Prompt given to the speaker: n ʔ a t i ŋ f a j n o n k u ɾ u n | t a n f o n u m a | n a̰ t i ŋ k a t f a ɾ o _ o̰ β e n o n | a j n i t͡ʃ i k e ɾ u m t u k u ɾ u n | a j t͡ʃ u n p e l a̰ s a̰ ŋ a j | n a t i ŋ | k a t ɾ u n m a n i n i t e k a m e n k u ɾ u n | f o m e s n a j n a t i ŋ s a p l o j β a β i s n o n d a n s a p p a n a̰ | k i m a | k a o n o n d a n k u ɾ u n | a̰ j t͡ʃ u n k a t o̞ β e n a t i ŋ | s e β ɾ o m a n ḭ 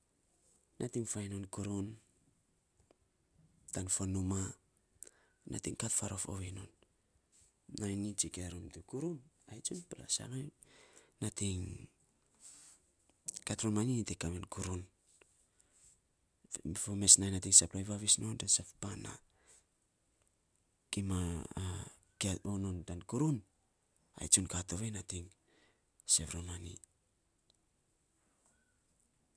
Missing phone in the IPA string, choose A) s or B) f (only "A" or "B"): B